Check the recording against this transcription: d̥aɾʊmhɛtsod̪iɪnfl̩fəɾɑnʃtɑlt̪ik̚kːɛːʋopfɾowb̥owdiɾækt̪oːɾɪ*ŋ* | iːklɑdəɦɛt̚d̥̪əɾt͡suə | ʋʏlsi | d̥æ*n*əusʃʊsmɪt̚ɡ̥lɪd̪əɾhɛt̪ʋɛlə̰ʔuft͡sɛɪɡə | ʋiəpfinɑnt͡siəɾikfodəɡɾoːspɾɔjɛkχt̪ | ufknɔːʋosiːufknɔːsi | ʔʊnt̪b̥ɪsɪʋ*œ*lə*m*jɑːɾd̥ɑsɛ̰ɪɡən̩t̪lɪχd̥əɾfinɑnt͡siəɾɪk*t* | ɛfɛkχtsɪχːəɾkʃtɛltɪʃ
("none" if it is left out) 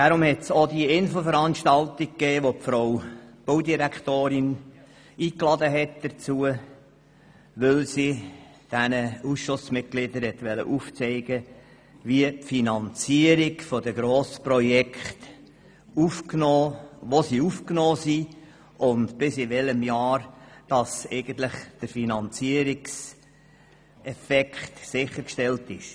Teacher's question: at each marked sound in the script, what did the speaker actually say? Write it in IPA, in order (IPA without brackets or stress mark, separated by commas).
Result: n, n, ɛ, m, s